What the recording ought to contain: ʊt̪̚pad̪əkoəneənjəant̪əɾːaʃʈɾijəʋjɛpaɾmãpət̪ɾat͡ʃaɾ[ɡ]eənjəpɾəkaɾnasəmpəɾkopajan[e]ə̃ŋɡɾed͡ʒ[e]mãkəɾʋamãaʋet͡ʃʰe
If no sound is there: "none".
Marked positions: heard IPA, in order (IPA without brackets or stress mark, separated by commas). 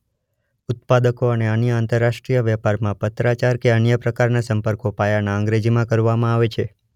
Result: k, a, i